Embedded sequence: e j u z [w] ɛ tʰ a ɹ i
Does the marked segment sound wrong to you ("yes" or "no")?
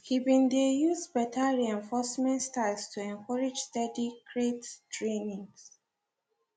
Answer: yes